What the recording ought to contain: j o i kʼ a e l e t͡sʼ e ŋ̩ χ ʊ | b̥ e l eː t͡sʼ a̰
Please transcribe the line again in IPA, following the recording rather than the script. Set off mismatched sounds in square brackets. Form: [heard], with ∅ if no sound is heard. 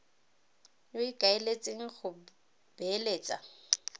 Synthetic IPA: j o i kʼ a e l e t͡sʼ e ŋ̩ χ ʊ | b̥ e l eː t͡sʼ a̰